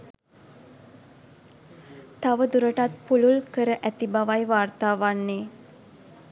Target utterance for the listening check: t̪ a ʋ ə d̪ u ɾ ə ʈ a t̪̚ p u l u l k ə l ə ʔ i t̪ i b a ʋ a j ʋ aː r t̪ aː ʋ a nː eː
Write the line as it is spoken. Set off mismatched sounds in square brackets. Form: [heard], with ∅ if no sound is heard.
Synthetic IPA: t̪ a ʋ ə d̪ u ɾ ə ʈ a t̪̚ p u l u l k ə [ɾ] ə ʔ [æ] t̪ i b a ʋ a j ʋ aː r t̪ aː ʋ a nː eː